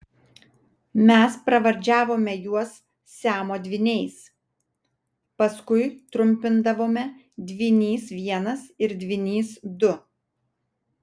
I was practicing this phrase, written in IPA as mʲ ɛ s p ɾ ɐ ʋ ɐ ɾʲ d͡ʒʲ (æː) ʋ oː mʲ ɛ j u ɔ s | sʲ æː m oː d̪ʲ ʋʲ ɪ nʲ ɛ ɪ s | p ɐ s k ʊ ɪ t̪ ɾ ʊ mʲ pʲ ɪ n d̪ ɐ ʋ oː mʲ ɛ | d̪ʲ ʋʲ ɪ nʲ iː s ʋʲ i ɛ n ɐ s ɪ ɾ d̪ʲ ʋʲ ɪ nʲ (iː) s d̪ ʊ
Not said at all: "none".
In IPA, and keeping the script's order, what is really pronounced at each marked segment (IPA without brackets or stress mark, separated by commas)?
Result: æː, iː